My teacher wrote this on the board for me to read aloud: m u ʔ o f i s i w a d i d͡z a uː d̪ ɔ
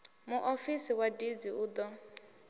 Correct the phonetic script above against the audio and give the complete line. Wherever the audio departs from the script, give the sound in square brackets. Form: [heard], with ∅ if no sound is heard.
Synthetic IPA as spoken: m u ʔ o f i s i w a d i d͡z [i] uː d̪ ɔ